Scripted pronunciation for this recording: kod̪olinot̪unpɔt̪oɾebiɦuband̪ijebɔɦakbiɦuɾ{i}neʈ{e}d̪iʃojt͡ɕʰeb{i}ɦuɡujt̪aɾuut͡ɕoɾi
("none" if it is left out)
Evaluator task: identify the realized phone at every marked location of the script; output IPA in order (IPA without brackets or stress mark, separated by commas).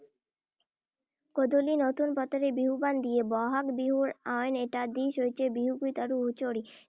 a, a, i